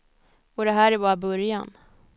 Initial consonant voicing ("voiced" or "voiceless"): voiced